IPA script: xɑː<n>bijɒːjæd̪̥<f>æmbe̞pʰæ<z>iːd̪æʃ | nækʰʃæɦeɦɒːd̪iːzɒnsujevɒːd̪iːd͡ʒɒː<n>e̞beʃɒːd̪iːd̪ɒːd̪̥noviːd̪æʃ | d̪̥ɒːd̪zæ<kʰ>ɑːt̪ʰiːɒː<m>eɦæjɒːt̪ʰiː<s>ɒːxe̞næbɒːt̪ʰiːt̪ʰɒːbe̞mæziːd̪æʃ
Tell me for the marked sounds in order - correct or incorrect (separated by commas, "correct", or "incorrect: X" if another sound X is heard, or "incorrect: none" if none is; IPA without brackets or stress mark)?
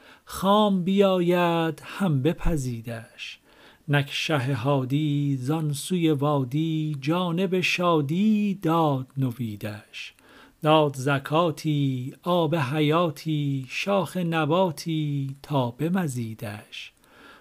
incorrect: m, incorrect: h, correct, correct, correct, incorrect: b, incorrect: ʃ